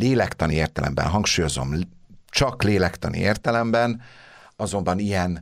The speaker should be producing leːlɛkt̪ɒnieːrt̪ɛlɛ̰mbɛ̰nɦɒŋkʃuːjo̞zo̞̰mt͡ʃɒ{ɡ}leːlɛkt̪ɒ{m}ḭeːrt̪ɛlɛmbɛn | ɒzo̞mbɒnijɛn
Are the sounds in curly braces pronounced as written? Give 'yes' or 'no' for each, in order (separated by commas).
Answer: no, no